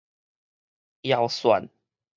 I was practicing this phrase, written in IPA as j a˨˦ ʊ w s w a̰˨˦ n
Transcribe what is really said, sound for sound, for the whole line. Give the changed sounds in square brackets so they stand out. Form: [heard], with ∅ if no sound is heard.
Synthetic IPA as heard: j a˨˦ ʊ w s w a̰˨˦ n